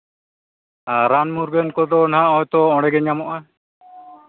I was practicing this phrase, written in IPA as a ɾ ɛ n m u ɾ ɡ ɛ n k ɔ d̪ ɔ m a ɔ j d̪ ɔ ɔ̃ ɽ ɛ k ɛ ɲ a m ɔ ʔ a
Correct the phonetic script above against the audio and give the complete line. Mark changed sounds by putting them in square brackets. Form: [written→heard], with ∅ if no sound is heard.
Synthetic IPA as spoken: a ɾ [ɛ→a] n m u ɾ ɡ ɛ n k ɔ d̪ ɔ [m→n] a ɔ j [d̪→t̪] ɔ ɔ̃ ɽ ɛ [k→ɡ] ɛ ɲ a m ɔ ʔ a